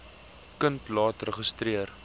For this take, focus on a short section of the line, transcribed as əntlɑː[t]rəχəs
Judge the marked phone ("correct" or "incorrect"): correct